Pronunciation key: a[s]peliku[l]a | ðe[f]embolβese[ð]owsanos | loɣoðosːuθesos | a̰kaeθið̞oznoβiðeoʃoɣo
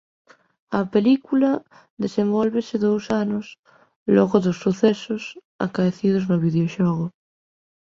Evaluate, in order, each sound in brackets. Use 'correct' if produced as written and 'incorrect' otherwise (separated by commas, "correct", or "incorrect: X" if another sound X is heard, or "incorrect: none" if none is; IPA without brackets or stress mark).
incorrect: none, correct, incorrect: s, correct